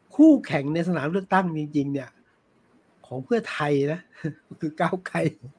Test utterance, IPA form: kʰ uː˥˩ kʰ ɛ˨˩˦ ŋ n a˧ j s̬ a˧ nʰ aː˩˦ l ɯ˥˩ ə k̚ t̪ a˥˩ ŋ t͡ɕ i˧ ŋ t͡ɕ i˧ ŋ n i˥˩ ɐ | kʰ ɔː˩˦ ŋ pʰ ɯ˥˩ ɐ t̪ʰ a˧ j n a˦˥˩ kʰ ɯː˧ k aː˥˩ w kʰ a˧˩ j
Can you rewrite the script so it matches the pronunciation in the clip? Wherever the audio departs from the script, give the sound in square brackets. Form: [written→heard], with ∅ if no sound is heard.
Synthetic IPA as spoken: kʰ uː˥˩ kʰ ɛ˨˩˦ ŋ n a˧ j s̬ a˧ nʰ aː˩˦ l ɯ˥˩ ə k̚ t̪ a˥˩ ŋ t͡ɕ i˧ ŋ t͡ɕ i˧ ŋ n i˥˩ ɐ | kʰ ɔː˩˦ ŋ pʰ ɯ˥˩ ɐ t̪ʰ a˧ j n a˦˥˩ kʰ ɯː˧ k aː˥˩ w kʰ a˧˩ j